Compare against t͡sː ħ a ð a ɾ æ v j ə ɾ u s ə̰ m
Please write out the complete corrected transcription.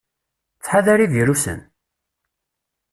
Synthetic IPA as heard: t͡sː ħ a ð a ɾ i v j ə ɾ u s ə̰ n